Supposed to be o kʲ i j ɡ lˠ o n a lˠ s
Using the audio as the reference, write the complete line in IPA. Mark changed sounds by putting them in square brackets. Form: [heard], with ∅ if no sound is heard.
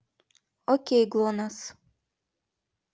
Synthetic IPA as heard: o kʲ [e] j ɡ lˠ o n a [∅] s

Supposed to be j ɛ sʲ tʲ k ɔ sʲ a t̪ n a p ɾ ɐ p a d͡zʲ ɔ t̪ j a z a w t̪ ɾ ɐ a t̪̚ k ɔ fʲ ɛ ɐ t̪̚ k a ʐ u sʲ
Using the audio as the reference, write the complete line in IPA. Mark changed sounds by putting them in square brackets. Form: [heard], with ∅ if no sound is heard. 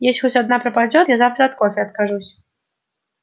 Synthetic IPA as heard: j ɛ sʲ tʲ [x] ɔ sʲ a [d̪] n a p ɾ ɐ p a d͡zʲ ɔ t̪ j a z a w t̪ ɾ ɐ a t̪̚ k ɔ fʲ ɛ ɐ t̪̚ k a ʐ u sʲ

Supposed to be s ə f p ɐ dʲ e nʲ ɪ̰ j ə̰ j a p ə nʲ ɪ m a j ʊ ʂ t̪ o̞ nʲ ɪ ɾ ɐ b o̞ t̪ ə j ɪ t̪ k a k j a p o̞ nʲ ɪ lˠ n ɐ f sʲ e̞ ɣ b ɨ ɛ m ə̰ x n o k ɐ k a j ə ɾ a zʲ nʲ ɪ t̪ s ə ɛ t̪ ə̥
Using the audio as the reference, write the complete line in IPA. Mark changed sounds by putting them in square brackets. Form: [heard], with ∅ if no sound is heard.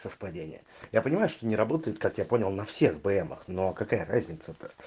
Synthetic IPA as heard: s ə f p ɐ dʲ e nʲ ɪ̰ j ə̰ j a p ə nʲ ɪ m a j ʊ ʂ t̪ o̞ nʲ ɪ ɾ ɐ b o̞ t̪ ə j ɪ t̪ k a k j a p o̞ nʲ ɪ lˠ n ɐ f sʲ e̞ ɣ b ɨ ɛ m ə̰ x n o k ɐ k a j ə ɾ a zʲ nʲ ɪ t̪ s ə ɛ t̪ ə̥

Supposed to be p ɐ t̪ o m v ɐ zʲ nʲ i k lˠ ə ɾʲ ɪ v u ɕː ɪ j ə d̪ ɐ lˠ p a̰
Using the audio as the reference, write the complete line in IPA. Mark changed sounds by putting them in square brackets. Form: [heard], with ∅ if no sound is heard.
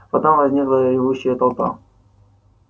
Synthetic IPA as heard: p ɐ t̪ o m v ɐ zʲ nʲ i k lˠ ə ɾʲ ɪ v u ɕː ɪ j ə [t̪] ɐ lˠ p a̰

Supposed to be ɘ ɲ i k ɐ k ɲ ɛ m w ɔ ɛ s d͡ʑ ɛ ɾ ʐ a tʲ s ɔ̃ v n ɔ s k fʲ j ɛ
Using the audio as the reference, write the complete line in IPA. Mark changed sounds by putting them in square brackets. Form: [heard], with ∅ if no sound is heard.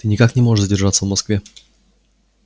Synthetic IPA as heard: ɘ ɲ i k [a] k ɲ ɛ m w ɔ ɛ [z] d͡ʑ ɛ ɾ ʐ a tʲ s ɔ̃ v [m] ɔ s k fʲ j ɛ

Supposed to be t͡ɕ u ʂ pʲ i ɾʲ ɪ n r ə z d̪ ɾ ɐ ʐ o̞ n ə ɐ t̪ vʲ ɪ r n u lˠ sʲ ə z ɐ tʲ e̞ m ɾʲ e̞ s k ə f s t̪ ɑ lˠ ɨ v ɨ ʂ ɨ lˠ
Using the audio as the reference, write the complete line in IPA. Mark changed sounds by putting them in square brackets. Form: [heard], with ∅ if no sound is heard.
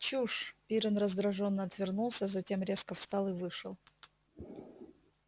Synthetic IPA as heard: t͡ɕ u ʂ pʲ i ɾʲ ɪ n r ə z d̪ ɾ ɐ ʐ o̞ [nː] ə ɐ t̪ vʲ ɪ r n u lˠ sʲ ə z ɐ tʲ e̞ m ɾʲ e̞ s k ə f s t̪ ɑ lˠ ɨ v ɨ ʂ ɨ lˠ

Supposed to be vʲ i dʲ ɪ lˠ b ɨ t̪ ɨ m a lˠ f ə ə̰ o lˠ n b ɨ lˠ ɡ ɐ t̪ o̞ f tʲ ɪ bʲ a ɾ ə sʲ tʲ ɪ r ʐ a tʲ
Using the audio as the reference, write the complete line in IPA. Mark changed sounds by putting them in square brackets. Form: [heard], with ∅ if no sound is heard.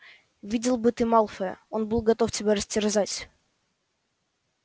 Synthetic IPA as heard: vʲ i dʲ ɪ lˠ b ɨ t̪ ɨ m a lˠ f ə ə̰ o [∅] n b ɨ lˠ ɡ ɐ t̪ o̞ f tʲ ɪ bʲ a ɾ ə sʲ tʲ ɪ r [z] a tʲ

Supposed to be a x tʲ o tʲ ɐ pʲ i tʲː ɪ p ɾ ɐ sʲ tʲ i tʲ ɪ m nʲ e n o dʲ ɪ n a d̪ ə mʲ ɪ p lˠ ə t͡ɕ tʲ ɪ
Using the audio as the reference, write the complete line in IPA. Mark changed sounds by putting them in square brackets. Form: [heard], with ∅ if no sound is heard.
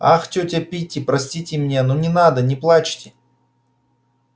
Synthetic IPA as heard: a x tʲ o tʲ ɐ pʲ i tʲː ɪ p ɾ ɐ sʲ tʲ i tʲ ɪ m nʲ e n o [nʲ] ɪ n a d̪ ə [nʲ] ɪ p lˠ [a] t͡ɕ tʲ ɪ

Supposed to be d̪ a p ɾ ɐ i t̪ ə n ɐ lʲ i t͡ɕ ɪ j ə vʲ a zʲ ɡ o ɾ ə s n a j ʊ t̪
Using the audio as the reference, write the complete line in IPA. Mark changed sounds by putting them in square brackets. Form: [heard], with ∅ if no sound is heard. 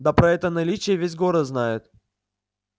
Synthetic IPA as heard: d̪ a p ɾ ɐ [ɛ] t̪ ə n ɐ lʲ i t͡ɕ ɪ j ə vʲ [e] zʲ ɡ o ɾ ə [z] n a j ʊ t̪

